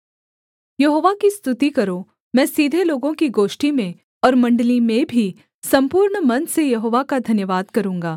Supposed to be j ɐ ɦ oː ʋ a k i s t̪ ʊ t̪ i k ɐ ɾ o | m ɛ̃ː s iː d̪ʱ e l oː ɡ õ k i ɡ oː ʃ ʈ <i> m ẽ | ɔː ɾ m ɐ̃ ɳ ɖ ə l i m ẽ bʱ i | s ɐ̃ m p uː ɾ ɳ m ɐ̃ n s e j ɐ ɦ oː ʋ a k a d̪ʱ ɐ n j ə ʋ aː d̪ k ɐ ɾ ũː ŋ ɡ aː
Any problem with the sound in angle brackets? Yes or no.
no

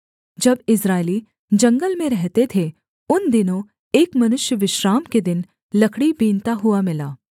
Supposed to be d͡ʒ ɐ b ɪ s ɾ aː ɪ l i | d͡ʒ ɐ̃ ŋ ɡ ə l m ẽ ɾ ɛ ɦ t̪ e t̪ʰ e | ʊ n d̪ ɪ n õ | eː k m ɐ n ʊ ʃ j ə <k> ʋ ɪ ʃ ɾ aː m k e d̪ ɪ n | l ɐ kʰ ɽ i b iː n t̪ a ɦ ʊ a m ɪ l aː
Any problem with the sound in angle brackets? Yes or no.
yes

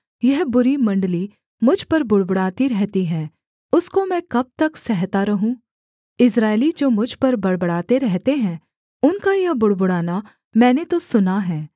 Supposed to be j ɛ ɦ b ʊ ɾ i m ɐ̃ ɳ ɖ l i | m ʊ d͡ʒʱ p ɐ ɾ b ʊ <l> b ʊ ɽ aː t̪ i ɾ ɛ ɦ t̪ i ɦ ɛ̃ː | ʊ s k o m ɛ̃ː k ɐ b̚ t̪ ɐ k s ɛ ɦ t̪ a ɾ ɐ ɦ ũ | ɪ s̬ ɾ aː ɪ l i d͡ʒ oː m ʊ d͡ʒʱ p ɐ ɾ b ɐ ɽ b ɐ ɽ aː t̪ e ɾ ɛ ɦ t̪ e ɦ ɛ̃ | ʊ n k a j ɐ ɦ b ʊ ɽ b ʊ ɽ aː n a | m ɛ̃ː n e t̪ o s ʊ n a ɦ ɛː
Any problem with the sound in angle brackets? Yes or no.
yes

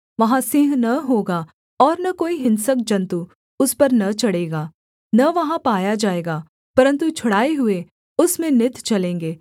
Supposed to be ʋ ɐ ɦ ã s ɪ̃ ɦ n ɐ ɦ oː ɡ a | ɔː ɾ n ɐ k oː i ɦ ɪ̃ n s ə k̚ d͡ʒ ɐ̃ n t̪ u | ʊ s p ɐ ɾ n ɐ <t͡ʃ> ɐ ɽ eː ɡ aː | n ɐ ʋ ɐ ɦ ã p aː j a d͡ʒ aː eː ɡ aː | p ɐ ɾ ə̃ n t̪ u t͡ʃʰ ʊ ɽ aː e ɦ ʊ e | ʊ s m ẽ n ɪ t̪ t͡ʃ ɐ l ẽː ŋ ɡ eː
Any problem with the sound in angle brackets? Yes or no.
no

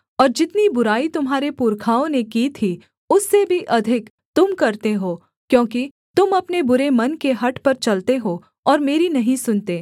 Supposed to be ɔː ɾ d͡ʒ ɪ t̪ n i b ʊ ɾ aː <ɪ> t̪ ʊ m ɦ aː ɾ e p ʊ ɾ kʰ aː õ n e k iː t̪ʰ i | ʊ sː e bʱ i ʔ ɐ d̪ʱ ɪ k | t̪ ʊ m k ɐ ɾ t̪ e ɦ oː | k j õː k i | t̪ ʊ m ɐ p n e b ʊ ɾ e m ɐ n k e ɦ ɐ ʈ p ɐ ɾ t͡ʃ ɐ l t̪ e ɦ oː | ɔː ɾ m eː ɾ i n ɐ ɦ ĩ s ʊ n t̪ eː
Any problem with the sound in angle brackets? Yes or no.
yes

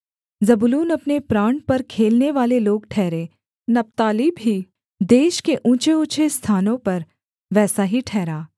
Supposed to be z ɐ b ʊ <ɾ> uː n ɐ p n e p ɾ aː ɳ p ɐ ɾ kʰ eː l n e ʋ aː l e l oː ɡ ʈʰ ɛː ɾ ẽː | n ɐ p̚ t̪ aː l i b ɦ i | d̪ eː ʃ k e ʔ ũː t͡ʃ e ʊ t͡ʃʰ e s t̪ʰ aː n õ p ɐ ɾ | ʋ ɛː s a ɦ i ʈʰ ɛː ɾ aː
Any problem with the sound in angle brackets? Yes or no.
yes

